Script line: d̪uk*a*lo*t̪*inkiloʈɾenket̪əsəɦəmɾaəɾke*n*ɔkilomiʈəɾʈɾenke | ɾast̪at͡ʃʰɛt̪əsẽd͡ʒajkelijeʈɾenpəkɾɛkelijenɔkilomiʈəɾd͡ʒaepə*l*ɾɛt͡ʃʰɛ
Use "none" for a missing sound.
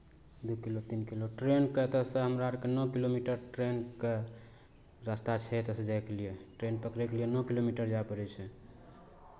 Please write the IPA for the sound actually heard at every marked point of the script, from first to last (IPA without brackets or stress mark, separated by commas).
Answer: i, t̪, n, none